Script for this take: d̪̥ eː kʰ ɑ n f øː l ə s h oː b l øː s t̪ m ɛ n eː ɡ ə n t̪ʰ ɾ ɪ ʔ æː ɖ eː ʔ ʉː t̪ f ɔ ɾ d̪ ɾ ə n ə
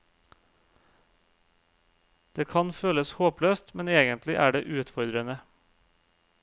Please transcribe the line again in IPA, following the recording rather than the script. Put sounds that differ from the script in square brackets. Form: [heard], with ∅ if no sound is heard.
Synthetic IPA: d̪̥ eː kʰ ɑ n f øː l ə s h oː [p] l øː s t̪ m ɛ n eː ɡ ə n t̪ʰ [l] ɪ ʔ æː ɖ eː ʔ ʉː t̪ f ɔ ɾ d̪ ɾ ə n ə